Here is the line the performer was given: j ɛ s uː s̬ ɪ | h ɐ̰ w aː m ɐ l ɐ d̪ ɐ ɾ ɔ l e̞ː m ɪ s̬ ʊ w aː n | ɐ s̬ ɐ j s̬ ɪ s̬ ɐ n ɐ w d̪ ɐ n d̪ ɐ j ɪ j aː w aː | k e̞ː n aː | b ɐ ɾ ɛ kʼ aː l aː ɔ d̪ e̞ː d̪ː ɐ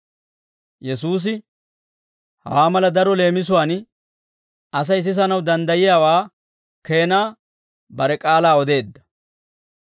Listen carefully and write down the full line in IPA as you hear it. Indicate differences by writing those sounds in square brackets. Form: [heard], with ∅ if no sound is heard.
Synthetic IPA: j ɛ s uː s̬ ɪ | h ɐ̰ w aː m ɐ l ɐ d̪ ɐ ɾ ɔ l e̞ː m ɪ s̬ ʊ w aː n | ɐ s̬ ɐ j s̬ ɪ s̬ ɐ n ɐ w d̪ ɐ n d̪ ɐ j ɪ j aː w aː | k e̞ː n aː | b ɐ ɾ ɛ kʼ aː l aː ɔ d̪ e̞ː d̪ː ɐ

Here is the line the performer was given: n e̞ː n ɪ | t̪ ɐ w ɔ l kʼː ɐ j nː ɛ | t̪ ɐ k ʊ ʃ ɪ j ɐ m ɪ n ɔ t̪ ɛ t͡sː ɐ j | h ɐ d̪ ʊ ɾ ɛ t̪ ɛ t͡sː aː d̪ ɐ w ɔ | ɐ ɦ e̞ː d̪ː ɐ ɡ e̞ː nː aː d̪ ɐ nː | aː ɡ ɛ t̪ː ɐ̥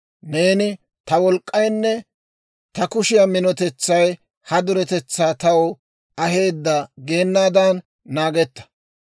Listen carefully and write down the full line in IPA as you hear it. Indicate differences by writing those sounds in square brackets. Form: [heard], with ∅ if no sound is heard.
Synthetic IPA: n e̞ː n ɪ | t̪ ɐ w ɔ l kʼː ɐ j nː ɛ | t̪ ɐ k ʊ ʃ ɪ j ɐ m ɪ n ɔ t̪ ɛ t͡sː ɐ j | h ɐ d̪ ʊ ɾ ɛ t̪ ɛ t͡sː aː [t̪] ɐ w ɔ | ɐ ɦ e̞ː d̪ː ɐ ɡ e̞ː nː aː d̪ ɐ nː | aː ɡ ɛ t̪ː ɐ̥

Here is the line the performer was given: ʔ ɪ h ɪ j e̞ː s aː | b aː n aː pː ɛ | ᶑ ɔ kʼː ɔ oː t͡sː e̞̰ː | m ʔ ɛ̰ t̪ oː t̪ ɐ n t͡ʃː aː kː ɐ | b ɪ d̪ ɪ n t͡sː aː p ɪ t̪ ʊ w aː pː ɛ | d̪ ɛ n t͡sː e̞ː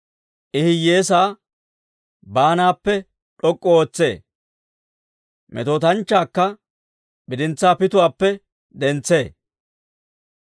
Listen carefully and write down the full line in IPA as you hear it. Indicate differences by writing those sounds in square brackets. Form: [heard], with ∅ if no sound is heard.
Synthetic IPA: ʔ ɪ h ɪ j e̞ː s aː | b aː n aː pː ɛ | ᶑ ɔ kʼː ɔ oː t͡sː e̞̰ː | m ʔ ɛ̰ t̪ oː t̪ ɐ n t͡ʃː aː kː ɐ | b ɪ d̪ ɪ n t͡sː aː p ɪ t̪ ʊ w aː pː ɛ | d̪ ɛ n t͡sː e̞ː

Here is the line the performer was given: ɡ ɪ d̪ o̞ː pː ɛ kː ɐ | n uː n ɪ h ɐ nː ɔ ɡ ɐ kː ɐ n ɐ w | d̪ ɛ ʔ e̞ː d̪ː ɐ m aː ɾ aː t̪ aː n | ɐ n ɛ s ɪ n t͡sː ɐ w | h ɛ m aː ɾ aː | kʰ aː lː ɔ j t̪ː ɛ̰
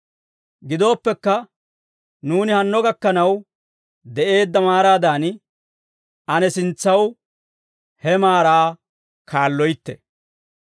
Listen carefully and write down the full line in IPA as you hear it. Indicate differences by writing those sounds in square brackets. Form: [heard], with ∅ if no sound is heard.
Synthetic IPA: ɡ ɪ d̪ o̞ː pː ɛ kː ɐ | n uː n ɪ h ɐ nː ɔ ɡ ɐ kː ɐ n ɐ w | d̪ ɛ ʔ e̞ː d̪ː ɐ m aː ɾ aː [d̪] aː n | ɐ n ɛ s ɪ n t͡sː ɐ w | h ɛ m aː ɾ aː | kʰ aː lː ɔ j t̪ː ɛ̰

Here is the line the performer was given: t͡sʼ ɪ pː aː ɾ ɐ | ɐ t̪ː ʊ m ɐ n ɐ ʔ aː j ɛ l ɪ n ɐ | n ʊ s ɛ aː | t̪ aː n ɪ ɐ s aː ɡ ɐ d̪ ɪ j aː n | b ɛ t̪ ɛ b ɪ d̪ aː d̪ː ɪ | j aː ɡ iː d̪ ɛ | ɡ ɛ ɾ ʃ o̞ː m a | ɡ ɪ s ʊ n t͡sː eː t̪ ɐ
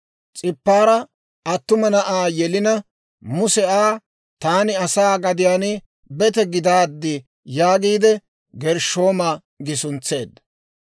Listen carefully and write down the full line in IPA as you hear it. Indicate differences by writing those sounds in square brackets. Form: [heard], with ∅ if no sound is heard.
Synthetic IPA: t͡sʼ ɪ pː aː ɾ ɐ | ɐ t̪ː ʊ m ɐ n ɐ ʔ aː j ɛ l ɪ n ɐ | [m] ʊ s ɛ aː | t̪ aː n ɪ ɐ s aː ɡ ɐ d̪ ɪ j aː n | b ɛ t̪ ɛ [ɡ] ɪ d̪ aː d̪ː ɪ | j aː ɡ iː d̪ ɛ | ɡ ɛ ɾ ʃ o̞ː m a | ɡ ɪ s ʊ n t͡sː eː [d̪] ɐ

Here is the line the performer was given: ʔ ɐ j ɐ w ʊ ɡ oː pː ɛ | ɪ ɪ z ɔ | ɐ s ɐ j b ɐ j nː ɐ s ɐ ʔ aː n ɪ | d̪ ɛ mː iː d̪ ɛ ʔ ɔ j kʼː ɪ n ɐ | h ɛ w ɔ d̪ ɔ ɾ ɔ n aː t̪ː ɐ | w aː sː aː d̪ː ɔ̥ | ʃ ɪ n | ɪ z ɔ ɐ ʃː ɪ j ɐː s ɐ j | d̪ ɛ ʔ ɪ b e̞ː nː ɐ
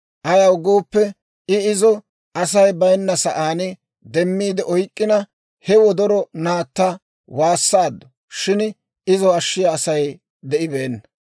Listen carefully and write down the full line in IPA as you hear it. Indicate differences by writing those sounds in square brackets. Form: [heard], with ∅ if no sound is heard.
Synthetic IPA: ʔ ɐ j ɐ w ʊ ɡ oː pː ɛ | ɪ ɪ z ɔ | ɐ s ɐ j b ɐ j nː ɐ s ɐ ʔ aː n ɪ | d̪ ɛ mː iː d̪ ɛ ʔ ɔ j kʼː ɪ n ɐ | h ɛ w ɔ d̪ ɔ ɾ ɔ n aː t̪ː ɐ | w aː sː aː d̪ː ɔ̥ | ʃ ɪ n | ɪ z ɔ ɐ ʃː ɪ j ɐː s ɐ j | d̪ ɛ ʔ ɪ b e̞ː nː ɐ

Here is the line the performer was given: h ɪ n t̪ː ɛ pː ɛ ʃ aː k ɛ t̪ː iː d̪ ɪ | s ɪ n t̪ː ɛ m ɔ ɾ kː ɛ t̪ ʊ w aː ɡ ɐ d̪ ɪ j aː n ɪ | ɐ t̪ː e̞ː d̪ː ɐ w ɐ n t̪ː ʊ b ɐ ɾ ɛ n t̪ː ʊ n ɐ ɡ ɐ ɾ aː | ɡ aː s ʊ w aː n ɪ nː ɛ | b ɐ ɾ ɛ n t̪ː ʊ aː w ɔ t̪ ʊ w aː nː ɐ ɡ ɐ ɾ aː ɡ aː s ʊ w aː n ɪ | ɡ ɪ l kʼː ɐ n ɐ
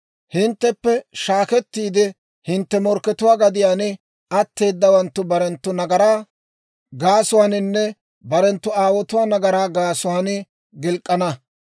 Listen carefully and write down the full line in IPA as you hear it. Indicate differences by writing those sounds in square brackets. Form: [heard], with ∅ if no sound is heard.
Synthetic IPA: h ɪ n t̪ː ɛ pː ɛ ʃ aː k ɛ t̪ː iː d̪ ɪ | [h] ɪ n t̪ː ɛ m ɔ ɾ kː ɛ t̪ ʊ w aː ɡ ɐ d̪ ɪ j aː n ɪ | ɐ t̪ː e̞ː d̪ː ɐ w ɐ n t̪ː ʊ b ɐ ɾ ɛ n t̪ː ʊ n ɐ ɡ ɐ ɾ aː | ɡ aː s ʊ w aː n ɪ nː ɛ | b ɐ ɾ ɛ n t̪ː ʊ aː w ɔ t̪ ʊ w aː [n] ɐ ɡ ɐ ɾ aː ɡ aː s ʊ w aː n ɪ | ɡ ɪ l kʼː ɐ n ɐ

